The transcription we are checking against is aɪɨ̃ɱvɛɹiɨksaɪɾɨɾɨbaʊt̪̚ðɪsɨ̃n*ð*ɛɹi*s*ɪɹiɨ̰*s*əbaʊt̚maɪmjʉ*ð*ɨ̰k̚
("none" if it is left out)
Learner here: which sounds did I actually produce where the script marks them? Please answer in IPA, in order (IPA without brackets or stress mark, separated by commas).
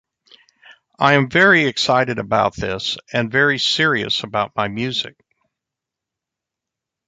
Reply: v, s, s, z